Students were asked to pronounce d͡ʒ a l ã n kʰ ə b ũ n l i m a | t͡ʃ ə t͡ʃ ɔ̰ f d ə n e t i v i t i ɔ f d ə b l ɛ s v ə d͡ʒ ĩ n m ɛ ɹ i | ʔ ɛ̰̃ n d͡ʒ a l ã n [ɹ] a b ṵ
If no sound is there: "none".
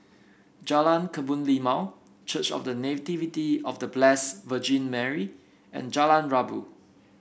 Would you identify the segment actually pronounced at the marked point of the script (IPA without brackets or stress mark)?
ɹ